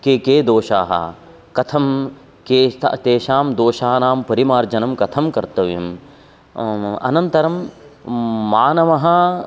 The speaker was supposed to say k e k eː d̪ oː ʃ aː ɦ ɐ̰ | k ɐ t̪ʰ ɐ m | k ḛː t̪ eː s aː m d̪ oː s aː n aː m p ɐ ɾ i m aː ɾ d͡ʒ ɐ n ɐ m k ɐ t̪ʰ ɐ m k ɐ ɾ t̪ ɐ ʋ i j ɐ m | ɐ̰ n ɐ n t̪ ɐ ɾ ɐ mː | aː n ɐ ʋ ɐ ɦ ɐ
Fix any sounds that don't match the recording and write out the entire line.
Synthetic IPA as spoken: k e k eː d̪ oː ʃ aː ɦ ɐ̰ | k ɐ t̪ʰ ɐ m | k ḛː t̪ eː ʃ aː m d̪ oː ʃ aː n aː m p ɐ ɾ i m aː ɾ d͡ʒ ɐ n ɐ m k ɐ t̪ʰ ɐ m k ɐ ɾ t̪ ɐ ʋ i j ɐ m | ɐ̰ n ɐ n t̪ ɐ ɾ ɐ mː | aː n ɐ ʋ ɐ ɦ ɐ